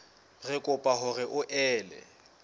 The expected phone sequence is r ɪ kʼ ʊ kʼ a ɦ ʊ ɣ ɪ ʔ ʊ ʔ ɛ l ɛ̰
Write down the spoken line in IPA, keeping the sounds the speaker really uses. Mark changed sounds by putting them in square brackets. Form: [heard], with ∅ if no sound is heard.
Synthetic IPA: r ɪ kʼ ʊ [pʼ] a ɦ ʊ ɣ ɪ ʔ ʊ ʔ [ɛː] l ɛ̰